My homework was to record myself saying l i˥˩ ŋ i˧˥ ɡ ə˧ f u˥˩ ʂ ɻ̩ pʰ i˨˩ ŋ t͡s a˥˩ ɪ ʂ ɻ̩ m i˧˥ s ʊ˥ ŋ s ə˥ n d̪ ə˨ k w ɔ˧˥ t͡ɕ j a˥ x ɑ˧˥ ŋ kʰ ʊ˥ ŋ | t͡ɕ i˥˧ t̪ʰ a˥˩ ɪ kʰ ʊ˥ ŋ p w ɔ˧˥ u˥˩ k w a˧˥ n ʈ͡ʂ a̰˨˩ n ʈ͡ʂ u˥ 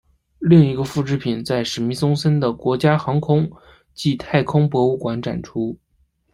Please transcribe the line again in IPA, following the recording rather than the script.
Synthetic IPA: l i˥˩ ŋ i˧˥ ɡ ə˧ f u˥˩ ʈ͡ʂ ɻ̩ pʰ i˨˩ n t͡s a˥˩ ɪ ʂ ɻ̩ m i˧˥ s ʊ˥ ŋ s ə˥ n d̪ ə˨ k w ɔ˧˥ t͡ɕ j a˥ x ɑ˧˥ ŋ kʰ ʊ˥ ŋ | t͡ɕ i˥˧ t̪ʰ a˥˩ ɪ kʰ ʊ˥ ŋ p w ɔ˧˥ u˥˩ k w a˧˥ n ʈ͡ʂ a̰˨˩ n ʈ͡ʂʰ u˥